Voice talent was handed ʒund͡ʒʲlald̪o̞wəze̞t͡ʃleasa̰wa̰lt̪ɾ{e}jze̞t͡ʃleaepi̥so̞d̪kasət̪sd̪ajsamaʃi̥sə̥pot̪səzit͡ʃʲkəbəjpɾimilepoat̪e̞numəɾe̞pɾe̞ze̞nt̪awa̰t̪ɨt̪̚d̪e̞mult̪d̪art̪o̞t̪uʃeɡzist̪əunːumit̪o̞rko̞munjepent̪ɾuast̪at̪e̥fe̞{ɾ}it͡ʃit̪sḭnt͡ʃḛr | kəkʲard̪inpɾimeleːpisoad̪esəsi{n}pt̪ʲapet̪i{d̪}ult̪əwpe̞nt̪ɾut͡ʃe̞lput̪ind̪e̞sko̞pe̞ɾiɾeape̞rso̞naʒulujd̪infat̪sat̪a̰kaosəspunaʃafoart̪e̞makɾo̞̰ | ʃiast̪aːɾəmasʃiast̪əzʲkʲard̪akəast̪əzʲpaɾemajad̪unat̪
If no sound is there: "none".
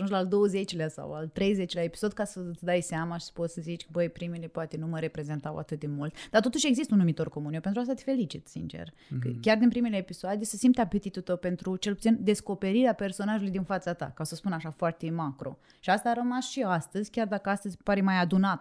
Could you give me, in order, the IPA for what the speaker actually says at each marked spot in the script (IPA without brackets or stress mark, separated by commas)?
e, l, m, t̪